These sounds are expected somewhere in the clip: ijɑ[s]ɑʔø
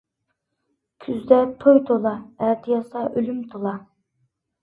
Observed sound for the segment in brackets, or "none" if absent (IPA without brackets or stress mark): s